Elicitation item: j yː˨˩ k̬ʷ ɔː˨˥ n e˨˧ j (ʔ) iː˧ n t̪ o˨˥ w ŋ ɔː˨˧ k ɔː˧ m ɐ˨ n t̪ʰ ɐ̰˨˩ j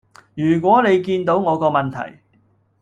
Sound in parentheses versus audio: incorrect: k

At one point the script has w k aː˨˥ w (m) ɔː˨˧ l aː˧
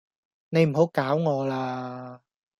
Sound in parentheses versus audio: incorrect: ŋ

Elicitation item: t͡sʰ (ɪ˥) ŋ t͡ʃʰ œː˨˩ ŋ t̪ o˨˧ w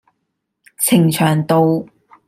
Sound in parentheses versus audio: incorrect: ɪ˨˩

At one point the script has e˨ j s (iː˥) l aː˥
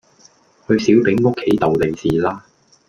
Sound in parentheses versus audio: incorrect: iː˨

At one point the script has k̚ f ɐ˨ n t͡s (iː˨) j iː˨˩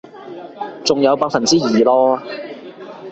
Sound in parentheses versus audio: incorrect: iː˥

